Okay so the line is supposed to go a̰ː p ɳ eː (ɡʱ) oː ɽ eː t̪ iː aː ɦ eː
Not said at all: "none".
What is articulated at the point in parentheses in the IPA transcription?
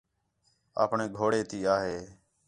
ɡʱ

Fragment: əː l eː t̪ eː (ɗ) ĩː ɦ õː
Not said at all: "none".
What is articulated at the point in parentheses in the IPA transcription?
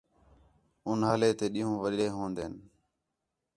ɗ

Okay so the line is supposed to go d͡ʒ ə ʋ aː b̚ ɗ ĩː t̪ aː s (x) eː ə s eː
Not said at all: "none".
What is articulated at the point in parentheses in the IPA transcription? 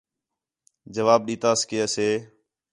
k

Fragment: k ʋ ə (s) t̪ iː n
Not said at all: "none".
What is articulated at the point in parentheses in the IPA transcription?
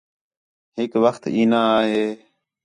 x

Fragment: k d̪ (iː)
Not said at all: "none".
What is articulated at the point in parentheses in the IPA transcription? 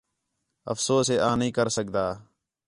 aː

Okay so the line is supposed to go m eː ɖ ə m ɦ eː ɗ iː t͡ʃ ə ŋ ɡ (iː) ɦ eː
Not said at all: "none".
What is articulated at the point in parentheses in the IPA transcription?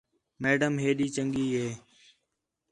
iː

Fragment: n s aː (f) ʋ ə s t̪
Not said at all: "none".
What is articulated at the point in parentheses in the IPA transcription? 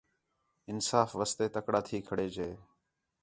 f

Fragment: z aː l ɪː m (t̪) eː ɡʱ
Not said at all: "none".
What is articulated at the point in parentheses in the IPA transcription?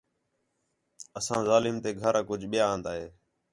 t̪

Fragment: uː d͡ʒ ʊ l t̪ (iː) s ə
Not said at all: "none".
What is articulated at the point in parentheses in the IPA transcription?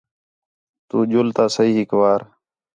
aː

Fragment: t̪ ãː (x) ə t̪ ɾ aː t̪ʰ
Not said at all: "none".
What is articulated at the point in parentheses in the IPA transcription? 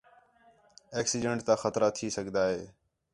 x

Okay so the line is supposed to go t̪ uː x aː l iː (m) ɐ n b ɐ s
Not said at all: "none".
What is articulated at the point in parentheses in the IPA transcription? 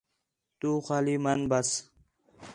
m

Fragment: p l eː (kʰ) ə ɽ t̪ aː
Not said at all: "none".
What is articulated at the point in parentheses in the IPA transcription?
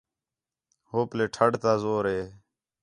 ʈʰ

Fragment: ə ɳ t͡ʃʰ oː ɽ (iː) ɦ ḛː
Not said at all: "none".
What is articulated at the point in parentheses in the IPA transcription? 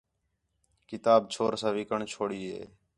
iː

